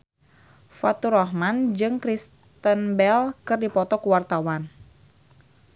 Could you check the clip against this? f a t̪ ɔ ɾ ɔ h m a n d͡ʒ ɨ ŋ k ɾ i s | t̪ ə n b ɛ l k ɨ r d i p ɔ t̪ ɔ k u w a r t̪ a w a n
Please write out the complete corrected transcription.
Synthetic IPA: f a t̪ u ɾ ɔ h m a n d͡ʒ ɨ ŋ k ɾ i s | t̪ ə n b ɛ l k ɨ r d i p ɔ t̪ ɔ k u w a r t̪ a w a n